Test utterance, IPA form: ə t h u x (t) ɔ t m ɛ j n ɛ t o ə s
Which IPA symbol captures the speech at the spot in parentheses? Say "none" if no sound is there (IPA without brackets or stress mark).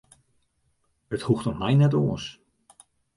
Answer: t